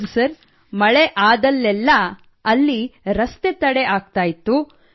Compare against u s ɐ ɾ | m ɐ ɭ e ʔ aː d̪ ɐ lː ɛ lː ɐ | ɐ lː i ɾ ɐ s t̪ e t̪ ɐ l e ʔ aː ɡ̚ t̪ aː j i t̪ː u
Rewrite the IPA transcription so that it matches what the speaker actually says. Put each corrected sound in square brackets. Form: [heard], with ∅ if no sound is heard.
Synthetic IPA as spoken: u s ɐ ɾ | m ɐ ɭ e ʔ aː d̪ ɐ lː ɛ lː ɐ | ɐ lː i ɾ ɐ s t̪ e t̪ ɐ [ɽ] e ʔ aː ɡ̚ t̪ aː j i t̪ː u